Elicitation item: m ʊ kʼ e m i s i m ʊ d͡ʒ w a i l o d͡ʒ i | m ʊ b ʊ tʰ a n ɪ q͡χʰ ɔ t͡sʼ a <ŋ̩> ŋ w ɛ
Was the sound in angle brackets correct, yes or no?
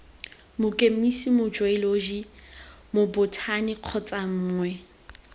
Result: no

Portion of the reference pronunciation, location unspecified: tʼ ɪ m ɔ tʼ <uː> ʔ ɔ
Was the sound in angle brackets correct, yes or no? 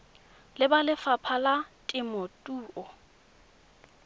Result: yes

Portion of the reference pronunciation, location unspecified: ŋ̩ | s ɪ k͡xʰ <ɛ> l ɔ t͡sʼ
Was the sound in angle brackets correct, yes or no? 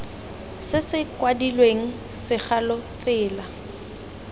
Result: no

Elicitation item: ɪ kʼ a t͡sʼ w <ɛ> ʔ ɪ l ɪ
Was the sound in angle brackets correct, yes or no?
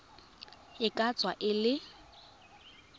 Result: no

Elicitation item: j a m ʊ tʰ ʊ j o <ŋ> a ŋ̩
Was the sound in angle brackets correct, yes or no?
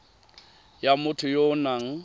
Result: no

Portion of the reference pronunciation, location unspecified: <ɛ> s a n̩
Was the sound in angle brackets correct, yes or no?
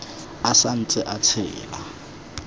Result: no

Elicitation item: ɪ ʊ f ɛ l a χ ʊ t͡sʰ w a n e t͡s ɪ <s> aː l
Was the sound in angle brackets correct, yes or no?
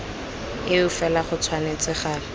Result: no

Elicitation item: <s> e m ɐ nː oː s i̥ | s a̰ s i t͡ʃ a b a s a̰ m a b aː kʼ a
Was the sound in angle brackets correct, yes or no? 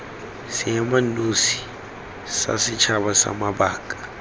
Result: yes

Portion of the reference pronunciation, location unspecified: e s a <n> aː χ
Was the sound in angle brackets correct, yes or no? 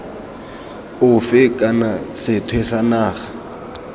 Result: yes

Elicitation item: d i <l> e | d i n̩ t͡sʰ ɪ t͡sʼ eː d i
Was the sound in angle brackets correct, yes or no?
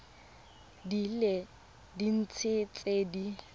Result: yes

